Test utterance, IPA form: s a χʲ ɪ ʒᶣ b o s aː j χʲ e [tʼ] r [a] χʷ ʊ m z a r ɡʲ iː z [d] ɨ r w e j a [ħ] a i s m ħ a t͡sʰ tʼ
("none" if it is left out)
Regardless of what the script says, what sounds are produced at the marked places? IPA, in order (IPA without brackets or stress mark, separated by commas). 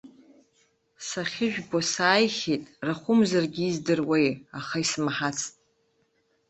tʼ, a, d, χ